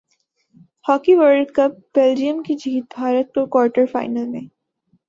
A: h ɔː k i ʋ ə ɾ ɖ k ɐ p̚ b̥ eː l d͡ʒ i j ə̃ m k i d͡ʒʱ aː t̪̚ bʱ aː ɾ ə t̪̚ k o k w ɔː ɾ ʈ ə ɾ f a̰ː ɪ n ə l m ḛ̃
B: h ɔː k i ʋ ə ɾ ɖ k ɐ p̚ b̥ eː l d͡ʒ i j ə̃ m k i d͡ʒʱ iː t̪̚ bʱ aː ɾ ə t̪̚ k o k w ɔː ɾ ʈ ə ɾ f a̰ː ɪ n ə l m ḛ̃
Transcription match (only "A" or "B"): B